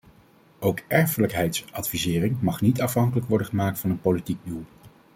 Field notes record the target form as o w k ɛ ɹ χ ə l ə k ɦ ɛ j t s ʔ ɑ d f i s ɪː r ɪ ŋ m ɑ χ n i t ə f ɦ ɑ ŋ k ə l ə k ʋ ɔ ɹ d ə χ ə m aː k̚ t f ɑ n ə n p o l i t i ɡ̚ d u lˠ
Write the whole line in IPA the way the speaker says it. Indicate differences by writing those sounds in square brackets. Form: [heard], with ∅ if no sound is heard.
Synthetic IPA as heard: o w k ɛ ɹ [f] ə l ə k ɦ ɛ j t s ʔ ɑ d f i [z] ɪː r ɪ ŋ m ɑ χ n i t [ɑ] f ɦ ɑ ŋ k ə l ə k ʋ ɔ ɹ d ə χ ə m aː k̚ t f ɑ n ə n p o l i t i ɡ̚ d u lˠ